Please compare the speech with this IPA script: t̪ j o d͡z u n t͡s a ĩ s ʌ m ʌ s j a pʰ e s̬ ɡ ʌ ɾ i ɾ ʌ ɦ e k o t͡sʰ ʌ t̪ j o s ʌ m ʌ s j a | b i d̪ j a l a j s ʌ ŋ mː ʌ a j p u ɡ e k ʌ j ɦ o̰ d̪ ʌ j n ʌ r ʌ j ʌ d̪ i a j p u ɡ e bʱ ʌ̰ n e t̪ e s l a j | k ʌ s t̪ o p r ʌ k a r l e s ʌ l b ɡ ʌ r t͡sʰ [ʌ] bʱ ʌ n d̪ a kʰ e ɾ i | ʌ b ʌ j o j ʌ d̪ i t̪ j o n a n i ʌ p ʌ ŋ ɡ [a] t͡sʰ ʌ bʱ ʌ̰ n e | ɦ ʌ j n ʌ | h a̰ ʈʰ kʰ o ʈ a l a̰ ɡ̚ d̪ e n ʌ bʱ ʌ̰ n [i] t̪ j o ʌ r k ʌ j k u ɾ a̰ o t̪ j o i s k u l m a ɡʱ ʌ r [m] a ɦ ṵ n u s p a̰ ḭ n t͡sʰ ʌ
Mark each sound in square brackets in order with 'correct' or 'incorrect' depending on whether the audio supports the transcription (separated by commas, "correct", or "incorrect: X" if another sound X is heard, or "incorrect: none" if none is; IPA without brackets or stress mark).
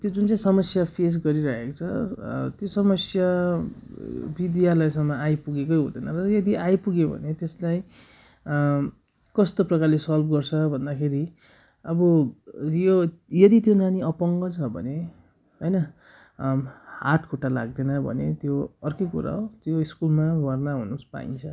correct, incorrect: ʌ, incorrect: e, incorrect: n